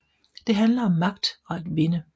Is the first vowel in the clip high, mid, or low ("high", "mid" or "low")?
mid